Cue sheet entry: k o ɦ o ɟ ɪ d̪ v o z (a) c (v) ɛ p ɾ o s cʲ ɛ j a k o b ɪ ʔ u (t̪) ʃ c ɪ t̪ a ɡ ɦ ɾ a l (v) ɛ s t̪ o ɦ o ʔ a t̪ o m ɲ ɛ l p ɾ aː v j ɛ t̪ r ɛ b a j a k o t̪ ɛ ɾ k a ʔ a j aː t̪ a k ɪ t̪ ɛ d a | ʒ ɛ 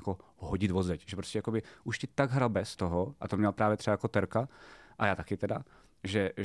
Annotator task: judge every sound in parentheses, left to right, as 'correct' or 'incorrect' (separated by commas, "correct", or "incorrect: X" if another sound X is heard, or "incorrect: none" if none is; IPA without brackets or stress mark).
incorrect: ɛ, incorrect: ʒ, incorrect: none, incorrect: b